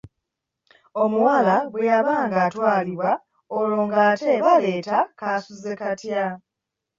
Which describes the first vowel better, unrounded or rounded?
rounded